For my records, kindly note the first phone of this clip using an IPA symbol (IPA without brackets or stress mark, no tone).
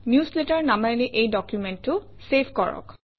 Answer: n